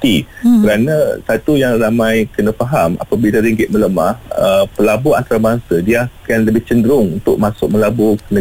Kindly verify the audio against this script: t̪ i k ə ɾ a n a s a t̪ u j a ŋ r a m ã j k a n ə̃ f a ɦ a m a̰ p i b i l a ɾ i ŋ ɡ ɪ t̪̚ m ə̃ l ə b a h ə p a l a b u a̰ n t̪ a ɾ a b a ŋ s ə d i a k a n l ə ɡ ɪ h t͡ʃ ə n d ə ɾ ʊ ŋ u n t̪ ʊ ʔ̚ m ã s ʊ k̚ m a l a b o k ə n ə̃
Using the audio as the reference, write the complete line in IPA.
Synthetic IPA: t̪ i k ə ɾ a n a s a t̪ u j a ŋ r a m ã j k ə n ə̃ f a ɦ a m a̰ p a b i l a ɾ i ŋ ɡ ɪ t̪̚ m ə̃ l ə m a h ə p ə l a b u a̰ n t̪ a ɾ a b a ŋ s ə d i a k a n l ə b ɪ h t͡ʃ ə n d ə ɾ ʊ ŋ u n t̪ ʊ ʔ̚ m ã s ʊ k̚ m ə l a b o k ə n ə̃